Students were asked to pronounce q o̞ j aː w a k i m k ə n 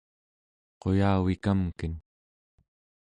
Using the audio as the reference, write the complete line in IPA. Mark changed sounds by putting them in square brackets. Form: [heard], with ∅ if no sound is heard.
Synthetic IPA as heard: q o̞ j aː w [i] k [a] m k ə n